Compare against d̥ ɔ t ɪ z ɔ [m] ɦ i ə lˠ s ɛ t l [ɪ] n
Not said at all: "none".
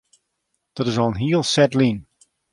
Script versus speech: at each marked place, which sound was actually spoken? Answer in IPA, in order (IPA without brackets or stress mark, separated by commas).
n, i